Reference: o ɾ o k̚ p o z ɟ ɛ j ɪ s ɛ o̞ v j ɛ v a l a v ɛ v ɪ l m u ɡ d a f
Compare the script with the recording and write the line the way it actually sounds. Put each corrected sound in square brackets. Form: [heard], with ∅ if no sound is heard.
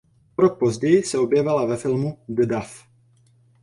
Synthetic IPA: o ɾ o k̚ p o z ɟ ɛ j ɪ s ɛ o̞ [b] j ɛ v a l a v ɛ [f] ɪ l m u ɡ d a f